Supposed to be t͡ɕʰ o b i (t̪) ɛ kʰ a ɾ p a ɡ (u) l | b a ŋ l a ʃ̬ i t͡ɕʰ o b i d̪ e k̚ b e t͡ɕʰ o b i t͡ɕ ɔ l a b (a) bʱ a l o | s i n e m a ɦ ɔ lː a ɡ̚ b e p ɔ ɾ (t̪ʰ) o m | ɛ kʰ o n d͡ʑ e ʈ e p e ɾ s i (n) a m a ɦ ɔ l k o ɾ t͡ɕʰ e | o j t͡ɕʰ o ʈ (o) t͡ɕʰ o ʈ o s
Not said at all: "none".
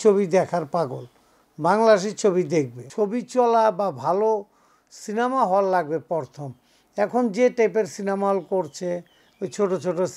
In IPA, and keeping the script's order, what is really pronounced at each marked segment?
d̪, o, a, t̪ʰ, n, o

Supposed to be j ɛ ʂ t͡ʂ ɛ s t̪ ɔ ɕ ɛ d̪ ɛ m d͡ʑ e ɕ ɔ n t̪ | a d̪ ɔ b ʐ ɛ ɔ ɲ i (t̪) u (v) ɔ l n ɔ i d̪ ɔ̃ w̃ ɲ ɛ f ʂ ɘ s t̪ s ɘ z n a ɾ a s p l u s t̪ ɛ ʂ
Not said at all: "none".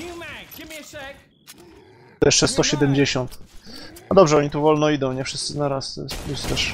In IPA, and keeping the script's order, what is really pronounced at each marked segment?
t̪, v

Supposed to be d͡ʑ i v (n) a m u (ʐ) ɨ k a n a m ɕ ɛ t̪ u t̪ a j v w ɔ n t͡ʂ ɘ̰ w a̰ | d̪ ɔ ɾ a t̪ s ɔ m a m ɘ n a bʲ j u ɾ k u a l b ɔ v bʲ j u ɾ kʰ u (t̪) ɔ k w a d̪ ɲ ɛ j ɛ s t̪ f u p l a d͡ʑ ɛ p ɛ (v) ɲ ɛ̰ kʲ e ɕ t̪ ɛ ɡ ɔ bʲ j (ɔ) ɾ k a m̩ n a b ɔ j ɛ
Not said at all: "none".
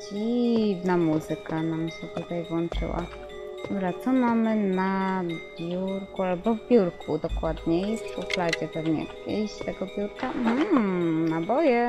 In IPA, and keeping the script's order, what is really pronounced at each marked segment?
n, z, d̪, v, u

